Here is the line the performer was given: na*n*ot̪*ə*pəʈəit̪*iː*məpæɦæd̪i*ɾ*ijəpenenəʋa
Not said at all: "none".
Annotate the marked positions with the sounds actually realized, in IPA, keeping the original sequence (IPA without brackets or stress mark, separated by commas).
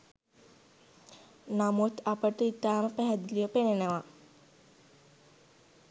m, a, aː, l